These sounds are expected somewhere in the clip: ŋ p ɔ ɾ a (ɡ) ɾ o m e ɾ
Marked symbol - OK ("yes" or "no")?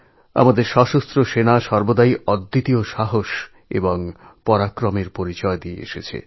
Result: no